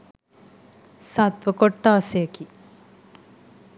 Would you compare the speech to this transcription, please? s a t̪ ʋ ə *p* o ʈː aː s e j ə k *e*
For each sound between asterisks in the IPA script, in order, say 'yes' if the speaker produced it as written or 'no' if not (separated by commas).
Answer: no, no